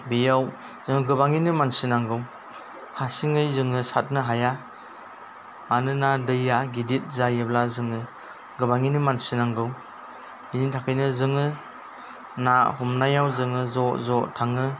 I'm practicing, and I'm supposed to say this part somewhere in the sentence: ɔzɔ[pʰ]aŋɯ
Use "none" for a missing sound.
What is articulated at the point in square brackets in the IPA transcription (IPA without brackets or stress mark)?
tʰ